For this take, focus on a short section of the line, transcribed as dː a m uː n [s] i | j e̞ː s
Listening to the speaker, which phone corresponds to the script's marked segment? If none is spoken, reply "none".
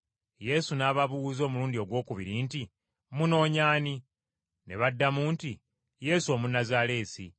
t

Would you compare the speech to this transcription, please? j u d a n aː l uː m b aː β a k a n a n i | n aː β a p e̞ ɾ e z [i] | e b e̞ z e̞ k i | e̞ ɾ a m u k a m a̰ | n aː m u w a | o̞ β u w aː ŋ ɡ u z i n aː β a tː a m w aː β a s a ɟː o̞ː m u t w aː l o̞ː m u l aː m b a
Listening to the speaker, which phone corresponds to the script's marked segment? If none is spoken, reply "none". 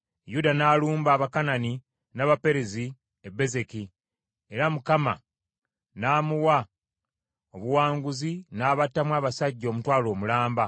i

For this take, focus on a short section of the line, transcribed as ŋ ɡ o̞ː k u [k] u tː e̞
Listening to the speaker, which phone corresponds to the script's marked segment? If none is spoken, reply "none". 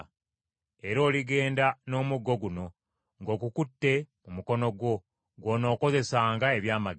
k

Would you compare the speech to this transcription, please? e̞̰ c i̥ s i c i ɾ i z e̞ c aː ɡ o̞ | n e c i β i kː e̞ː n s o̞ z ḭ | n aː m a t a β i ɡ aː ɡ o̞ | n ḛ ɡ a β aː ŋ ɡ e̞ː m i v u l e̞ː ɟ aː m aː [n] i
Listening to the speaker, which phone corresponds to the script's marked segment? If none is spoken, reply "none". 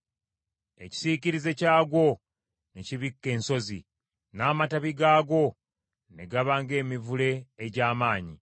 ɲ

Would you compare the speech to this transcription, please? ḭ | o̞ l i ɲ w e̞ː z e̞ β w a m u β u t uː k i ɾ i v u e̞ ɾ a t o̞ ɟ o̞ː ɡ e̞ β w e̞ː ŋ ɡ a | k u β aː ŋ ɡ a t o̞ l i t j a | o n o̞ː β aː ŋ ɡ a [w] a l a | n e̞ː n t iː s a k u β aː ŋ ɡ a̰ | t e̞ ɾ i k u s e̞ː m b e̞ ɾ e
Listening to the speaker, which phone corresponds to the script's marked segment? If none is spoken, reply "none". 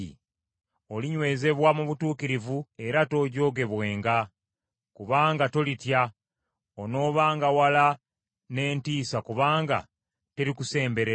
w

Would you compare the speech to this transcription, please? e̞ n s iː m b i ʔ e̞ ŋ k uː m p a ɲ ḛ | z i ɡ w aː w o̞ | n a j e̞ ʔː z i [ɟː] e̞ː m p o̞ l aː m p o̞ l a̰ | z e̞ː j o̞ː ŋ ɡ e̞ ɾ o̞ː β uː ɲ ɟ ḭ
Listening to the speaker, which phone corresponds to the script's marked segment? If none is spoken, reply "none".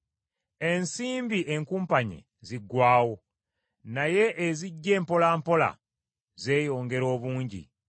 ɟː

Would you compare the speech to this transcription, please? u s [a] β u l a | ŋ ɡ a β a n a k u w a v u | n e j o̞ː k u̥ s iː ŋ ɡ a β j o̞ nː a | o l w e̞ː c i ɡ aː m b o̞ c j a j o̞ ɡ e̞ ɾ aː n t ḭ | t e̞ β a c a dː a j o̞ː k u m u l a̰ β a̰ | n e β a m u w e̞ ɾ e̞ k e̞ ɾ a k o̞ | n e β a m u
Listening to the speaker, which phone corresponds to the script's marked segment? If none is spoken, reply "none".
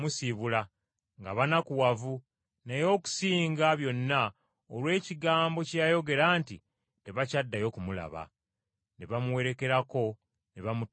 i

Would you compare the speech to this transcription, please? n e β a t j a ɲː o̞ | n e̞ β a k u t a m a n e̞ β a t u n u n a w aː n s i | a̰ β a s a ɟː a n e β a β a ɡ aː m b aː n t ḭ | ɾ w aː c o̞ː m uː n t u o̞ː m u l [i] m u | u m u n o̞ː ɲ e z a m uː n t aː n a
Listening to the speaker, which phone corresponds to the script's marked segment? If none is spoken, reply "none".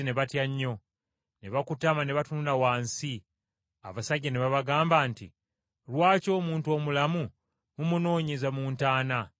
a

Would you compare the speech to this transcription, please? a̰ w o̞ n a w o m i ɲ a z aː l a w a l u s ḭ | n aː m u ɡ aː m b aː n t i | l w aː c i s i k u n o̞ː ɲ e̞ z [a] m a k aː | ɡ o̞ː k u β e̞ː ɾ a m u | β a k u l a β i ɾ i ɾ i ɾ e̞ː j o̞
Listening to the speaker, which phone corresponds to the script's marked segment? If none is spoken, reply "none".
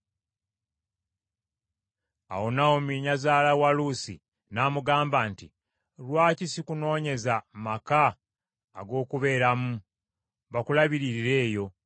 a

